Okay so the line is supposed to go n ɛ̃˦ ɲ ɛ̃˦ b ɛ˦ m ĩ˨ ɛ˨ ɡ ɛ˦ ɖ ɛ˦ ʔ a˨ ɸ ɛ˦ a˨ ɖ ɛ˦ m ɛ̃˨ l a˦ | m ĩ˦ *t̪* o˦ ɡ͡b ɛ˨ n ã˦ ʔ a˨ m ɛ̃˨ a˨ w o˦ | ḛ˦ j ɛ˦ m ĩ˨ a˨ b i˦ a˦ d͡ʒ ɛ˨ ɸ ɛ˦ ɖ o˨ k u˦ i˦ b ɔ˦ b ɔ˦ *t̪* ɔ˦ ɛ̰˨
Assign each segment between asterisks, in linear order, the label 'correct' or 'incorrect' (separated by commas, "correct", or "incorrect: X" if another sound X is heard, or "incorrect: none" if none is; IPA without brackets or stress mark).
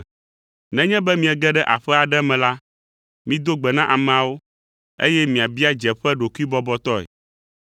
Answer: incorrect: d̪, correct